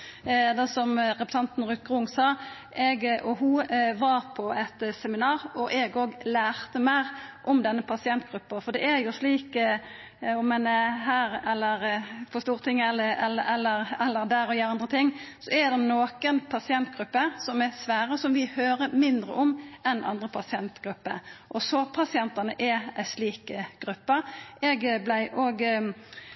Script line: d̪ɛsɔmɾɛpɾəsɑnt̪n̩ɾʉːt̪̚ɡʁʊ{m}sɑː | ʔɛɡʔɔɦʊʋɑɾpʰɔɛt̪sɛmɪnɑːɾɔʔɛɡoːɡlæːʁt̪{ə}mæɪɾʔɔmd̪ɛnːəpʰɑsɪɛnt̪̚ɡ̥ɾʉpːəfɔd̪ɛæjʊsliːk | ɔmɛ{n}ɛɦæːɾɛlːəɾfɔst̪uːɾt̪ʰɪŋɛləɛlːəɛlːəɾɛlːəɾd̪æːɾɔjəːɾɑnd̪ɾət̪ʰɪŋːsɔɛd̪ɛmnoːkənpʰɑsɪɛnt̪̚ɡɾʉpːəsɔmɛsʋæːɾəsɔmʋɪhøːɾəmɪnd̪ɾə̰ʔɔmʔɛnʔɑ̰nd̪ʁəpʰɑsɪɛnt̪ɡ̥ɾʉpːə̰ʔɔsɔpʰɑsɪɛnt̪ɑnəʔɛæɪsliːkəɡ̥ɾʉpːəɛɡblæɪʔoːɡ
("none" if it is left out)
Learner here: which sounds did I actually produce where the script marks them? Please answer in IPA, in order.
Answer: ŋ, ə, n

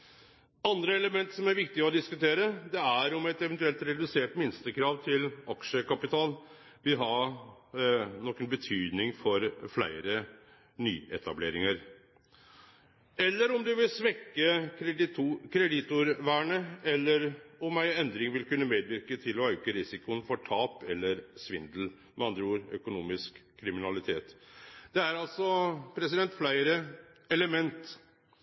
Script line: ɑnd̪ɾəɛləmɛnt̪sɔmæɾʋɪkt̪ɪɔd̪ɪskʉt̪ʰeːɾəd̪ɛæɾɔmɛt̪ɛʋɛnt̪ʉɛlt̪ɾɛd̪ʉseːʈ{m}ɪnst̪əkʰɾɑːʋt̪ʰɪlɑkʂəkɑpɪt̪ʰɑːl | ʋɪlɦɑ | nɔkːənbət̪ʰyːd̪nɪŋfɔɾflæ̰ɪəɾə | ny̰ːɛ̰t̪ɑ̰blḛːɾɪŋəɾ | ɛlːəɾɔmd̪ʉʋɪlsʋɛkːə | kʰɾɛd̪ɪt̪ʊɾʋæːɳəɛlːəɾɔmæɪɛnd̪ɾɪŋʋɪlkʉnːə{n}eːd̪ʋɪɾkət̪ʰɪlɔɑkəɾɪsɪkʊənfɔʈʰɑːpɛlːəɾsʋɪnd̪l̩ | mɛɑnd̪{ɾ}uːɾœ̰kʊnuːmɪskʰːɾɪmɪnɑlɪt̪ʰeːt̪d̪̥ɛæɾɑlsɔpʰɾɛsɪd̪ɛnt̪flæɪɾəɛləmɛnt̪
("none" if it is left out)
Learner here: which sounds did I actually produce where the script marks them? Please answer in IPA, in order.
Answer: m, m, ɾ

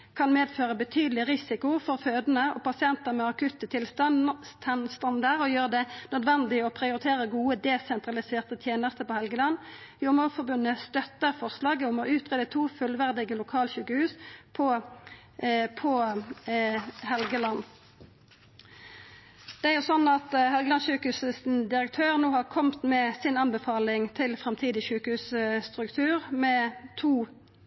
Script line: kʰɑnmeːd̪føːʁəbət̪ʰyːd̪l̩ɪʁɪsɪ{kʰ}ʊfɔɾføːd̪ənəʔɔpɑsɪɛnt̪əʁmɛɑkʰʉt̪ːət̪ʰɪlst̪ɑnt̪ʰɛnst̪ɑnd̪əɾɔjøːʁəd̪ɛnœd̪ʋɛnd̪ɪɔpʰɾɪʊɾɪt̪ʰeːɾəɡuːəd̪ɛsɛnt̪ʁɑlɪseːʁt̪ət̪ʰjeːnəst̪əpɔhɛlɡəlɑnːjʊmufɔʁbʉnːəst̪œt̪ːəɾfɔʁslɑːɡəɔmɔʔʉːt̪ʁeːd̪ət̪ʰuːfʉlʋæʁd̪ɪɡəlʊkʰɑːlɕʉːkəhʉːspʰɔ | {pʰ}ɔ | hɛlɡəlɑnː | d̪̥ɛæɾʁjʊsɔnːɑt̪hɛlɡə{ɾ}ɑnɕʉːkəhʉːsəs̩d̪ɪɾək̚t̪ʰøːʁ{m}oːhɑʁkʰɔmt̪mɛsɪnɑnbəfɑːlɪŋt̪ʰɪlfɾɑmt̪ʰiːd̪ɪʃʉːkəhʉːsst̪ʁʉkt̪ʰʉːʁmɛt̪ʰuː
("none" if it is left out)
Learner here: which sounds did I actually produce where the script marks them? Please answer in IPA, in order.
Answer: k, pʰ, l, n

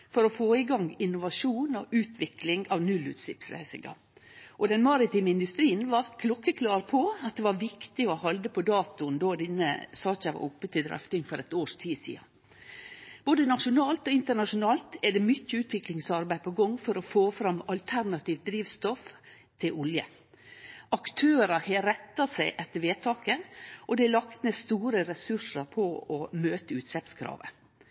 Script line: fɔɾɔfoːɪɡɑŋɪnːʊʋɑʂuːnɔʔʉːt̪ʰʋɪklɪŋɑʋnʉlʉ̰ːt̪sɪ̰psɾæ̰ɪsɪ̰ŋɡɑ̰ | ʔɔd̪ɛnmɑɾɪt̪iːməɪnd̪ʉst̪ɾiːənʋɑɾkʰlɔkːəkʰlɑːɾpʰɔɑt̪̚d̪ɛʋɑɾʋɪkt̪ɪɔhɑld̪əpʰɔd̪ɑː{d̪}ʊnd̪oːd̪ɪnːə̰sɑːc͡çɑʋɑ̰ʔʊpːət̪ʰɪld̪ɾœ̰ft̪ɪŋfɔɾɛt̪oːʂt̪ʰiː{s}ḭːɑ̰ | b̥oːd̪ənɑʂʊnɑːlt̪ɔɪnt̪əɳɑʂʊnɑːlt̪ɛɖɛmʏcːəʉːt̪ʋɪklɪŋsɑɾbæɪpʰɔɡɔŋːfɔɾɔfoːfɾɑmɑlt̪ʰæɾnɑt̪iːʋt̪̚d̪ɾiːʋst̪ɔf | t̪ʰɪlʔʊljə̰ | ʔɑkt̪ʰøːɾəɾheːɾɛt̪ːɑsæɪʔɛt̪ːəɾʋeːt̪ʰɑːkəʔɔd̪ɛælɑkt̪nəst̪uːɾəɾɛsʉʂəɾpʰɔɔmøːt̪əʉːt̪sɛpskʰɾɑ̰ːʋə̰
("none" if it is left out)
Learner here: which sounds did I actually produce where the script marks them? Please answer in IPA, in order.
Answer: t̪, s

